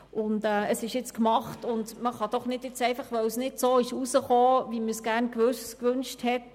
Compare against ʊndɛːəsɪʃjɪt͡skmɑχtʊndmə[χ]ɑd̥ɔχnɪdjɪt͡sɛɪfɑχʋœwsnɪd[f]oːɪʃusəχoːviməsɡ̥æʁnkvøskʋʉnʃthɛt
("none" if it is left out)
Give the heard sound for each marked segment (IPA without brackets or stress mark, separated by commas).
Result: χ, s